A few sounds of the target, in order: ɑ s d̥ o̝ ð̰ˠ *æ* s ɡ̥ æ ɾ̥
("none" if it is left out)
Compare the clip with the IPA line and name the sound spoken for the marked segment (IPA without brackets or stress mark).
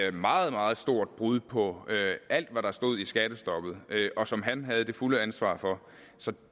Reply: i